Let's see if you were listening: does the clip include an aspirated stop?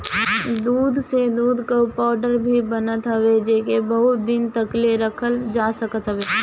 yes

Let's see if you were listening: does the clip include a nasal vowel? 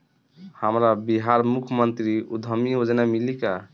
no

